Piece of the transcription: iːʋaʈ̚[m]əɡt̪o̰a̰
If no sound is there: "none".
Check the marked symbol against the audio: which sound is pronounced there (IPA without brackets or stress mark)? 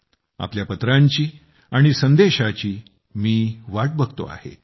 b